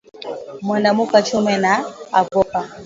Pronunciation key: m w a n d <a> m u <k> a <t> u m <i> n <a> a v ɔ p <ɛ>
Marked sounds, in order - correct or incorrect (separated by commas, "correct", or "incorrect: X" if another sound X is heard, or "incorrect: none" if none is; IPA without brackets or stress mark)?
correct, correct, incorrect: t͡ʃ, incorrect: ɛ, correct, incorrect: a